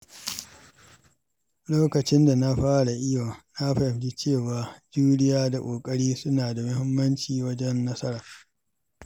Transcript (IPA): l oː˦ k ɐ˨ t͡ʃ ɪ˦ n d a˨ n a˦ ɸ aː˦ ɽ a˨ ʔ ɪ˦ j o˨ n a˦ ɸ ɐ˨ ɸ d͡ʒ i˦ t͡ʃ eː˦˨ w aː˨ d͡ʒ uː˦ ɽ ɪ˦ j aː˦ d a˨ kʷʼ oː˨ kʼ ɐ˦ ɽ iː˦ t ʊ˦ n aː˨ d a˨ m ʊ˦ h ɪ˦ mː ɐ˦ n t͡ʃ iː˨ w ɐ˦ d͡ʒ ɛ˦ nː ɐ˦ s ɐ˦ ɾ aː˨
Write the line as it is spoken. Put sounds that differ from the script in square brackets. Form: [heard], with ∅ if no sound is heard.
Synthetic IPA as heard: l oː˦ k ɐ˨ t͡ʃ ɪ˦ n d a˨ n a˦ ɸ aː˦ ɽ a˨ ʔ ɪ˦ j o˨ n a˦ ɸ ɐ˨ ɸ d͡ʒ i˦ t͡ʃ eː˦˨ w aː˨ d͡ʒ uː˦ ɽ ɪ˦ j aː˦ d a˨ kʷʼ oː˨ kʼ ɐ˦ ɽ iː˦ [s] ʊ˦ n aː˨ d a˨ m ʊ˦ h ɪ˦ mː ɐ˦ n t͡ʃ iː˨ w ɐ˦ d͡ʒ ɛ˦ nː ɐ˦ s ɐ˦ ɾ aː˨